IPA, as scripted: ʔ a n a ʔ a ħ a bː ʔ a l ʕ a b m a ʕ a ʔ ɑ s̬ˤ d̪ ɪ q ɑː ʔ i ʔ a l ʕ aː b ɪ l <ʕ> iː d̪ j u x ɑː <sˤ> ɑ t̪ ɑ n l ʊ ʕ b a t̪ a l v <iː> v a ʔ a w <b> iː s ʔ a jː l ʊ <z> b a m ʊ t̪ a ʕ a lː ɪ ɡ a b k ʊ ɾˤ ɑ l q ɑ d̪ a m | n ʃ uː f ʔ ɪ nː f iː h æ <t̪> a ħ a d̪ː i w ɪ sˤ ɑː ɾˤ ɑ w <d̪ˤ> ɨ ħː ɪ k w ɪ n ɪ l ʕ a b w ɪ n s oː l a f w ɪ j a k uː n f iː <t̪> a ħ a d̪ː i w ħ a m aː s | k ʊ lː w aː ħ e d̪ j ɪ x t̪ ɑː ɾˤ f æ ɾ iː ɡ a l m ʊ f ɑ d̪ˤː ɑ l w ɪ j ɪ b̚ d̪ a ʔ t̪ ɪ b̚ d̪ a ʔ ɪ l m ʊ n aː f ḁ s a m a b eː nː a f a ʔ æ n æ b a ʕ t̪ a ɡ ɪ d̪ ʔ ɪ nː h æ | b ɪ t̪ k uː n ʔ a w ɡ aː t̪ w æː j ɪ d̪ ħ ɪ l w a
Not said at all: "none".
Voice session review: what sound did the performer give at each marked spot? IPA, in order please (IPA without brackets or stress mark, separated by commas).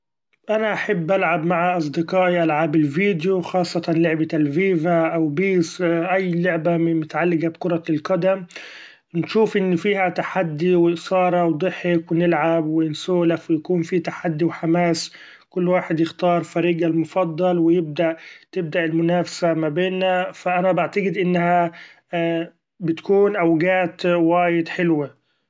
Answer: v, sˤː, iː, b, ʕ, t̪, d̪ˤ, t̪